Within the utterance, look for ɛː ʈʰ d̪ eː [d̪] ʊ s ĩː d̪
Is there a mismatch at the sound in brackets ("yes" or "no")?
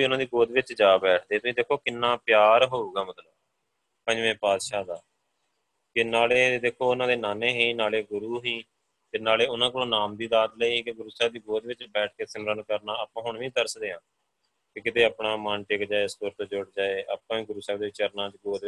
yes